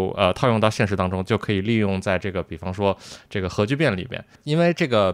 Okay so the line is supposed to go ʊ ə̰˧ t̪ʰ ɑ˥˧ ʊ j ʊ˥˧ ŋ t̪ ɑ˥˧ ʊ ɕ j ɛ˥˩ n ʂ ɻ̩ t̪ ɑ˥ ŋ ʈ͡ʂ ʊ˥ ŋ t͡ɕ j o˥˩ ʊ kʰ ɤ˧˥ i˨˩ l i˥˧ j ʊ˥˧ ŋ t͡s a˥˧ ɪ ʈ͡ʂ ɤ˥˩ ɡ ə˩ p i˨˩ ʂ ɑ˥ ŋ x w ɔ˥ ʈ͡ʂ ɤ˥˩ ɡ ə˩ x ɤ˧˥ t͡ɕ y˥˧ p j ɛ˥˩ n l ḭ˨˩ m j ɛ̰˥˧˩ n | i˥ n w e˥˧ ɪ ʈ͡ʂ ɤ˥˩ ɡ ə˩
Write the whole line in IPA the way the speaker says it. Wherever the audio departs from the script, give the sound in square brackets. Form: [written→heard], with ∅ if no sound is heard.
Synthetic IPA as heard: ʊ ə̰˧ t̪ʰ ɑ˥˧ ʊ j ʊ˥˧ ŋ t̪ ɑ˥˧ ʊ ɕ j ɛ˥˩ n ʂ ɻ̩ t̪ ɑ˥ ŋ ʈ͡ʂ ʊ˥ ŋ t͡ɕ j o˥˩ ʊ kʰ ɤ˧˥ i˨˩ l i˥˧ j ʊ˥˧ ŋ t͡s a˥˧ ɪ ʈ͡ʂ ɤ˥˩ ɡ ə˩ p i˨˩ [ʂ→f] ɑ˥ ŋ [x→ʂ] w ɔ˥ ʈ͡ʂ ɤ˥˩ ɡ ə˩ x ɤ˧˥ t͡ɕ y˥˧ p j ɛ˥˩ n l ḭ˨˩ m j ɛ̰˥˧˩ n | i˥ n w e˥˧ ɪ ʈ͡ʂ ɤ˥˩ ɡ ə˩